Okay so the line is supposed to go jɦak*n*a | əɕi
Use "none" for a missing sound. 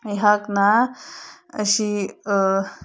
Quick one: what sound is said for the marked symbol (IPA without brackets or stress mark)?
n